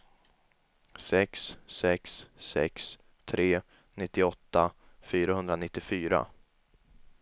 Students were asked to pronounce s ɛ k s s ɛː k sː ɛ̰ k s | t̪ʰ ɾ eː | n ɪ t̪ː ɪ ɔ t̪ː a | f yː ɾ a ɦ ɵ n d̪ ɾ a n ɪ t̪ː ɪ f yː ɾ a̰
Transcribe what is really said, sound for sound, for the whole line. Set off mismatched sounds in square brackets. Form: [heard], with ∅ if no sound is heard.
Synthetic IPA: s ɛ k s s [ɛ] k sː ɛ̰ k s | t̪ʰ ɾ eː | n ɪ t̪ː ɪ ɔ t̪ː a | f yː ɾ a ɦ ɵ n d̪ ɾ a n ɪ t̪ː ɪ f yː ɾ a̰